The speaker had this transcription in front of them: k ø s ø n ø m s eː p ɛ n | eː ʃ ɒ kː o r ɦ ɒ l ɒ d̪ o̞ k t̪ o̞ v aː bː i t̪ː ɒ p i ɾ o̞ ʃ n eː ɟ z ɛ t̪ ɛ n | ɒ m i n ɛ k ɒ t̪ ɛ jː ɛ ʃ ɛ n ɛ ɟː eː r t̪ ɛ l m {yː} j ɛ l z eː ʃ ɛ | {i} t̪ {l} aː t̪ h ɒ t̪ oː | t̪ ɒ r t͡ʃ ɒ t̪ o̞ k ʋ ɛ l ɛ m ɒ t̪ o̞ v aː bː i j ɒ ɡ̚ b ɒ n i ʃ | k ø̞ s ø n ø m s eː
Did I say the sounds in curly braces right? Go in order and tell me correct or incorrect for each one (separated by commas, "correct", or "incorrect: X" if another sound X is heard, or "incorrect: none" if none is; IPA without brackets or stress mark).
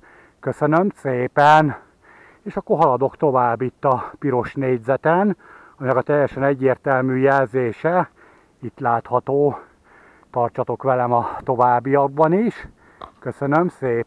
correct, correct, correct